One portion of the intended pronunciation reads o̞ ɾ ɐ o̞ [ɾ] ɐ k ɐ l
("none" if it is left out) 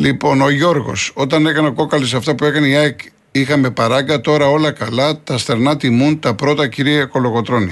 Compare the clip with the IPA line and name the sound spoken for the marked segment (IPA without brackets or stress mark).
l